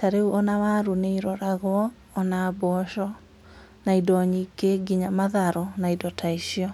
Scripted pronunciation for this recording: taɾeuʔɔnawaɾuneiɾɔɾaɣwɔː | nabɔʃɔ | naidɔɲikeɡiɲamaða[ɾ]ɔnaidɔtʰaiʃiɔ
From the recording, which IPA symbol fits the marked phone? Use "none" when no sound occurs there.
ɾ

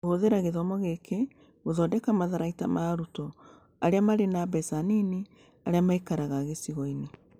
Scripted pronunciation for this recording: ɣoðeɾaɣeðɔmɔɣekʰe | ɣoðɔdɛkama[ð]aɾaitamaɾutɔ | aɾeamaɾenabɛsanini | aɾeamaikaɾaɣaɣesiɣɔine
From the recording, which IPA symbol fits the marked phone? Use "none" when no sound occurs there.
ð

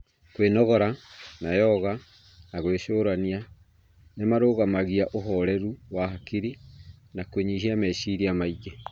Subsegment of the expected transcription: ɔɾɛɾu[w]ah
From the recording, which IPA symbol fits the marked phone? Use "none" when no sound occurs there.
w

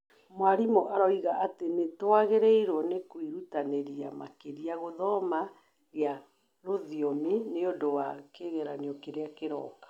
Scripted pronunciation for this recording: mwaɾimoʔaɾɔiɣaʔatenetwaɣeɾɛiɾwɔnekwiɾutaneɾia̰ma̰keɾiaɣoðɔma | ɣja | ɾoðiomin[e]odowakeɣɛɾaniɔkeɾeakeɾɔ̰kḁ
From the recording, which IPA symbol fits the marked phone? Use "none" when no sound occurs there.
e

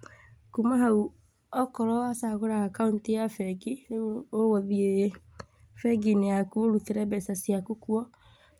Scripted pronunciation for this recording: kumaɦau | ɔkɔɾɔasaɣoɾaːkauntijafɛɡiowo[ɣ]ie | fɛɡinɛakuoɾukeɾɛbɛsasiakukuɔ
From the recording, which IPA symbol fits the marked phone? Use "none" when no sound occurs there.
ð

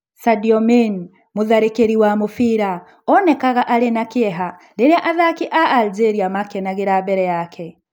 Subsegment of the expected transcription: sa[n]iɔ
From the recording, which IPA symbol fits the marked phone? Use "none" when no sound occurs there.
d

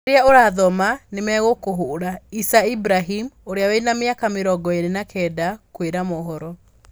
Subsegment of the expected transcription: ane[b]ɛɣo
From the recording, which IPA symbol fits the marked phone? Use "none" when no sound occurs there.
m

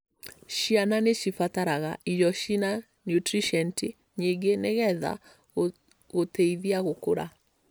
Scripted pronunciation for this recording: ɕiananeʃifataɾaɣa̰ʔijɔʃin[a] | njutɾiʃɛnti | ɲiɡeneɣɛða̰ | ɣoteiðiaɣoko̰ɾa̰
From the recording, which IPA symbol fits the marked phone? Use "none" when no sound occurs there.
a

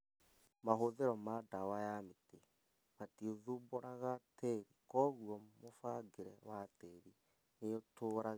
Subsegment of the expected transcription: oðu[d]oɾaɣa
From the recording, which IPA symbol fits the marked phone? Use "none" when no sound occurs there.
b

